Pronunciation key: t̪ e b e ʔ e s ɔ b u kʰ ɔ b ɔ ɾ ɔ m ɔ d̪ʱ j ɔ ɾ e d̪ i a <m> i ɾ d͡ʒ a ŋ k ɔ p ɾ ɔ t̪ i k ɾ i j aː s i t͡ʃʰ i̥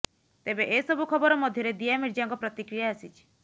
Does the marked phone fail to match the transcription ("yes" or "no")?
no